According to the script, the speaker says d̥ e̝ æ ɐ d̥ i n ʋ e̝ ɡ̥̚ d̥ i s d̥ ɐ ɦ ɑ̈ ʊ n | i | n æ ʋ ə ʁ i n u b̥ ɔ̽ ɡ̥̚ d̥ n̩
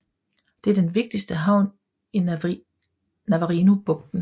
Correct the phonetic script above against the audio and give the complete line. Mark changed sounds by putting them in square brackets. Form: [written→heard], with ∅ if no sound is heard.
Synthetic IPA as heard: d̥ e̝ æ ɐ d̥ [i→e] n ʋ e̝ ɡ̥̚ d̥ i s d̥ [ɐ→ə] ɦ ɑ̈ ʊ n | i | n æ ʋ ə ʁ i n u b̥ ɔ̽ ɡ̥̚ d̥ n̩